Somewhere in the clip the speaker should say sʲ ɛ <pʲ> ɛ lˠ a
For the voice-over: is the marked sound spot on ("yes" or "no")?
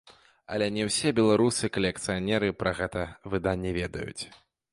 no